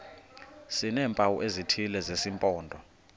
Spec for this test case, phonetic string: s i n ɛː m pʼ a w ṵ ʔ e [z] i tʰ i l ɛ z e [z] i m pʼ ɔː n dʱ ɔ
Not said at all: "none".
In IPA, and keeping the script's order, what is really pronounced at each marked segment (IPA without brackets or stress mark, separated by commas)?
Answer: z, s